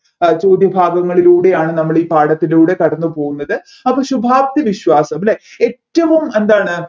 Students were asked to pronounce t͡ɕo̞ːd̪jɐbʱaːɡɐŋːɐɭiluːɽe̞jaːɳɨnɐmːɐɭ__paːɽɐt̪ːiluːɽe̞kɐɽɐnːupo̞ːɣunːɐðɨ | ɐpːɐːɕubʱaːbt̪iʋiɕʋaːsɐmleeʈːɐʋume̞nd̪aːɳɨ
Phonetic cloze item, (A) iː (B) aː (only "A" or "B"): A